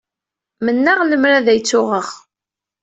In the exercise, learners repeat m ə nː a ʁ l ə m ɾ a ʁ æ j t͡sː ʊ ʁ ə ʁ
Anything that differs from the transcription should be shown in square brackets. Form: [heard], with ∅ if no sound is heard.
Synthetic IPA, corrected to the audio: m ə nː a ʁ l ə m ɾ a [ð] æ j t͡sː ʊ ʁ ə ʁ